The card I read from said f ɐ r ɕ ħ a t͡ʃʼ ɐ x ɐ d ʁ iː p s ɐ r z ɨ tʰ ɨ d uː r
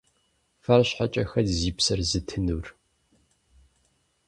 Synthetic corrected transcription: f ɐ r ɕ ħ a t͡ʃʼ ɐ x ɐ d z iː p s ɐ r z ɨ tʰ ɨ n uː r